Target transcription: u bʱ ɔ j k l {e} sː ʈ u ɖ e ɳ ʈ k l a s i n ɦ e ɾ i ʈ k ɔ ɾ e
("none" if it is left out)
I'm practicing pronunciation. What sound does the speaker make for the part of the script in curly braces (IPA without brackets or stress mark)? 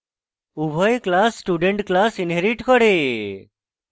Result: a